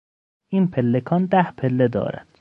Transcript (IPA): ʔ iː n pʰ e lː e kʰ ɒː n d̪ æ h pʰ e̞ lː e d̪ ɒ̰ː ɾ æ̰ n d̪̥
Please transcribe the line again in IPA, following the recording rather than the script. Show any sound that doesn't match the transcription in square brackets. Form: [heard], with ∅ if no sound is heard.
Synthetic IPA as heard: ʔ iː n pʰ e lː e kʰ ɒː n d̪ æ h pʰ e̞ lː e d̪ ɒ̰ː ɾ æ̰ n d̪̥